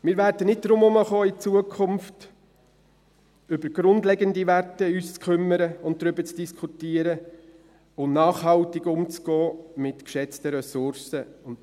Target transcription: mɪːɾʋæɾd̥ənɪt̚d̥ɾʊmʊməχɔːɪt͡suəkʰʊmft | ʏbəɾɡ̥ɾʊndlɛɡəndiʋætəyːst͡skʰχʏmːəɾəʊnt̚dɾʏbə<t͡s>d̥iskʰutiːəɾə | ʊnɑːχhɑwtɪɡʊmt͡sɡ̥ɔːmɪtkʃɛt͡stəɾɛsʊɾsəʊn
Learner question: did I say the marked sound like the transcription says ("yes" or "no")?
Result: yes